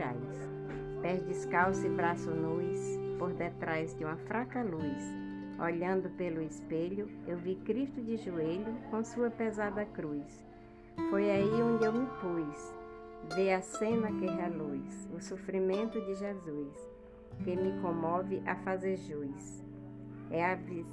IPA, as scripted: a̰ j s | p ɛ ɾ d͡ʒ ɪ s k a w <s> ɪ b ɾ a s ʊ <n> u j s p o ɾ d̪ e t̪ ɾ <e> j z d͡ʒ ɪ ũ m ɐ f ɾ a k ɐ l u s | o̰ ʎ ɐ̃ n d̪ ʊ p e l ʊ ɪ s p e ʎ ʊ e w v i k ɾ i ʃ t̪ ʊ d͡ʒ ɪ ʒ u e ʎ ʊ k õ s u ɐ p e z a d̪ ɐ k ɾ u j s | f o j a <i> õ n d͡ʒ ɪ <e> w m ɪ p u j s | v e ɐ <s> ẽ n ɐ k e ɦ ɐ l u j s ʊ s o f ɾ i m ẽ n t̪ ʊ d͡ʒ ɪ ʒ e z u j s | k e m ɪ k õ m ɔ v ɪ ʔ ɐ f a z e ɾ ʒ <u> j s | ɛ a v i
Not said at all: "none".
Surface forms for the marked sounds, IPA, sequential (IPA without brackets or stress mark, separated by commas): s, n, a, i, e, s, u